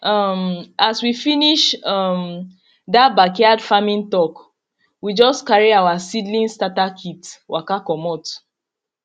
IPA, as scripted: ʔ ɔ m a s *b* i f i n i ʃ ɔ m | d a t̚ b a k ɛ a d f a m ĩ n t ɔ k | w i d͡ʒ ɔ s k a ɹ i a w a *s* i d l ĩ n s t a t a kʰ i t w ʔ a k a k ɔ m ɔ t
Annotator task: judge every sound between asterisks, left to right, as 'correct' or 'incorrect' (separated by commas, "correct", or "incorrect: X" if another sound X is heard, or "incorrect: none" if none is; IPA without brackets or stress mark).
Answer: incorrect: w, correct